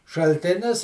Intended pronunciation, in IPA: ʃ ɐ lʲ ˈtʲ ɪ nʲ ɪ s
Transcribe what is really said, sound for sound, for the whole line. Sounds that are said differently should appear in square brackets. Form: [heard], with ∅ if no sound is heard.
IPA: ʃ ɐ lʲ ˈtʲ ɪ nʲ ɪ s